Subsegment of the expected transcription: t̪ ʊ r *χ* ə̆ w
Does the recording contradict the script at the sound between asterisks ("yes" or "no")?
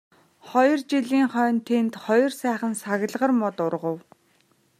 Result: yes